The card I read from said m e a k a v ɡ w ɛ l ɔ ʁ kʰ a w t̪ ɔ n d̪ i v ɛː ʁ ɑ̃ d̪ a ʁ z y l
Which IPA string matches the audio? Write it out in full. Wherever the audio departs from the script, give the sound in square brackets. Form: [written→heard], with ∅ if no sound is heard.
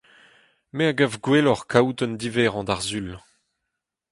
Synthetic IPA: m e a [k→ɡ] a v ɡ w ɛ l ɔ ʁ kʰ a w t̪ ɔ n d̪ i v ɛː ʁ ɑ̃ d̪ a ʁ z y l